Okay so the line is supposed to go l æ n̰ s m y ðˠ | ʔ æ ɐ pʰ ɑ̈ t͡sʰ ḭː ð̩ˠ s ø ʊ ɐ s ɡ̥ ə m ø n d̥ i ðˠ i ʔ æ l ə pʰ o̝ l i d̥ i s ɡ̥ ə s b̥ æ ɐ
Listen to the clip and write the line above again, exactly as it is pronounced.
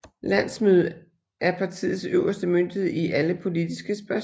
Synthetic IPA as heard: l æ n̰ s m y ðˠ | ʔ æ ɐ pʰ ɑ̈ t͡sʰ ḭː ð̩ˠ s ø ʊ ɐ s d̥ ə m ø n d̥ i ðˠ i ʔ æ l ə pʰ o̝ l i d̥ i s ɡ̥ ə s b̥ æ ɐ